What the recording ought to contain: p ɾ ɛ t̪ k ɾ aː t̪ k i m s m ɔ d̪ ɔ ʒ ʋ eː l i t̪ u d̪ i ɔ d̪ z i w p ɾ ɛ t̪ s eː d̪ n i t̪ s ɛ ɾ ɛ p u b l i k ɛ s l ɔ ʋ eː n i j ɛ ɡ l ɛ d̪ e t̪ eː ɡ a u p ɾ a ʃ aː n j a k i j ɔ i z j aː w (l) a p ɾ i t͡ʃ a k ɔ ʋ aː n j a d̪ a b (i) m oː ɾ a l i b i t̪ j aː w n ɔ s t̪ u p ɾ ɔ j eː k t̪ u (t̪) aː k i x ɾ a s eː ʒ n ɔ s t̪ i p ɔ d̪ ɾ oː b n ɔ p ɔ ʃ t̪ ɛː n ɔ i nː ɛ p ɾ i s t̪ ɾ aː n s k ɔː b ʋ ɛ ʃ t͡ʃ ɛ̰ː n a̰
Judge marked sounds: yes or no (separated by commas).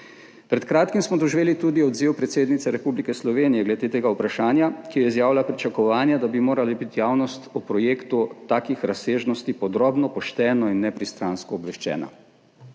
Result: yes, yes, yes